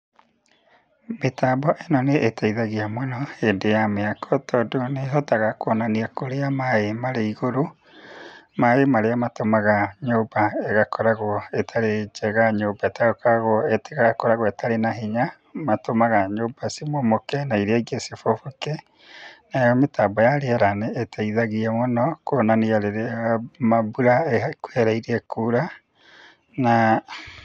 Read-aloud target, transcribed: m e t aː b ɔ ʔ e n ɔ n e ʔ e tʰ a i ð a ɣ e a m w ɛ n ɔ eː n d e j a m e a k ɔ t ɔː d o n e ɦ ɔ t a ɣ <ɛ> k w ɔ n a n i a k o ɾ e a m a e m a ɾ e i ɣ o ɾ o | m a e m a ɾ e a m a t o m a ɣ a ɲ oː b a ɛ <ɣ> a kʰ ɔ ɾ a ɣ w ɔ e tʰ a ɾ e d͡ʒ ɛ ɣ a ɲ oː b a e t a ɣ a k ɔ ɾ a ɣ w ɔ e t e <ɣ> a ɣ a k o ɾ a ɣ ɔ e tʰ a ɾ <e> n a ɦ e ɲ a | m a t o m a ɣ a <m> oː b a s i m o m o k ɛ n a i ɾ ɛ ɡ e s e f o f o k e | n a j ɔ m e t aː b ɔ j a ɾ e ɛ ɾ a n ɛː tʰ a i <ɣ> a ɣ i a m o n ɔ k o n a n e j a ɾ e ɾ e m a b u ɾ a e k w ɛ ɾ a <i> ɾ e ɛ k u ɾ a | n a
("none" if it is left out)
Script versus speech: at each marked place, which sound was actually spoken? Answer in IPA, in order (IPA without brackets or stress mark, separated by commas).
a, ɣ, ɣ, e, ɲ, ð, i